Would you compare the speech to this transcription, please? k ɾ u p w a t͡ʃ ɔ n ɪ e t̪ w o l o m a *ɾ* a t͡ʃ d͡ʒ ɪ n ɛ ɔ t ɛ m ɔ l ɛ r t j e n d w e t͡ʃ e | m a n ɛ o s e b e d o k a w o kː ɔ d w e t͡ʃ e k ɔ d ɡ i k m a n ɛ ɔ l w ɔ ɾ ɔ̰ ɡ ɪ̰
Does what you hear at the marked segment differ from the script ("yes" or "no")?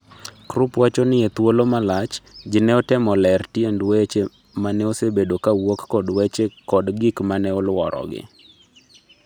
yes